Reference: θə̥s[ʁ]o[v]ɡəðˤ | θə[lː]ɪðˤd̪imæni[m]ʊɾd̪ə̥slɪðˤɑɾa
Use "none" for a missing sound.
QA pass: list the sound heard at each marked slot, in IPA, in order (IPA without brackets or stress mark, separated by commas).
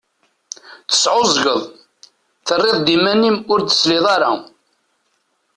ʕ, z, rː, m